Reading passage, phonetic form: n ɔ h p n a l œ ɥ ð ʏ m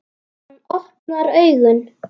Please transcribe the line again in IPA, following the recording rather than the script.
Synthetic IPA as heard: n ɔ h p n a ɾ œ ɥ ɣ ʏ n